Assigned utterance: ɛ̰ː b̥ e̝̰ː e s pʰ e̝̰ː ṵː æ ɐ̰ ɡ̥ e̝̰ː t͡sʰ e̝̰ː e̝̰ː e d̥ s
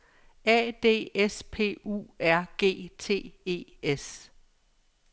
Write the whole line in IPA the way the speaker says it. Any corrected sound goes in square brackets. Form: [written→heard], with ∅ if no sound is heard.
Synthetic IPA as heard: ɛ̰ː [b̥→d̥] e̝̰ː e s pʰ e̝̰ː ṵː æ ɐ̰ ɡ̥ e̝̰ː t͡sʰ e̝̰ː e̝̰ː e [d̥→∅] s